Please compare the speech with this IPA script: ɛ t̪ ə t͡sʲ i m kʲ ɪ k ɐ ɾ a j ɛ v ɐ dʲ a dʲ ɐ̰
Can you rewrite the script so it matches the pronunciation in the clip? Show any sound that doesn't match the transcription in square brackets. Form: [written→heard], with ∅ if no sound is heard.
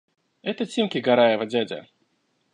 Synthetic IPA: ɛ t̪ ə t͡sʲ i m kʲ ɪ [k→ɡ] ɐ ɾ a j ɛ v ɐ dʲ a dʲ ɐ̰